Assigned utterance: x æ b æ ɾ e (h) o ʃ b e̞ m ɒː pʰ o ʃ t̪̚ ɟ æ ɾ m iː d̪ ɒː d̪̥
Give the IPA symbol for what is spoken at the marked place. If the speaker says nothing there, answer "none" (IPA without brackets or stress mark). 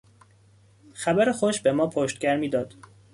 x